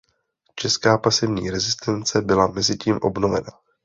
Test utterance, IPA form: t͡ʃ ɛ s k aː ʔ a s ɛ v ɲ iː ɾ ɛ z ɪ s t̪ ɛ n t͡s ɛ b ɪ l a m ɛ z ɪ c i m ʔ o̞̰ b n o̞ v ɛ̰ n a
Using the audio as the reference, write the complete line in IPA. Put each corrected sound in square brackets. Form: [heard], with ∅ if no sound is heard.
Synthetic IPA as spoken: t͡ʃ ɛ s k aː [p] a s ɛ v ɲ iː ɾ ɛ z ɪ s t̪ ɛ n t͡s ɛ b ɪ l a m ɛ z ɪ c [iː] m ʔ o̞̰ b n o̞ v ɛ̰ n a